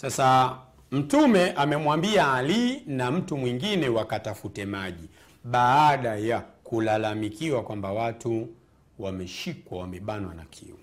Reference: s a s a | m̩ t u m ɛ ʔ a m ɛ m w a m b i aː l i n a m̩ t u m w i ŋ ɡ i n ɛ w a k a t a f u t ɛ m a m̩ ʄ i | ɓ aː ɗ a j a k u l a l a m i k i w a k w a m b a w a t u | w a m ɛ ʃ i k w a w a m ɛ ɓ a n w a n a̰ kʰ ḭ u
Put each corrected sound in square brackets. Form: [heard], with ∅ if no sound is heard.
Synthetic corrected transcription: s a s a | m̩ t u m ɛ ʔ a m ɛ m w a m b i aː l i n a m̩ t u m w i ŋ ɡ i n ɛ w a k a t a f u t ɛ m a [∅] ʄ i | ɓ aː ɗ a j a k u l a l a m i k i w a k w a m b a w a t u | w a m ɛ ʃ i k w a w a m ɛ ɓ a n w a n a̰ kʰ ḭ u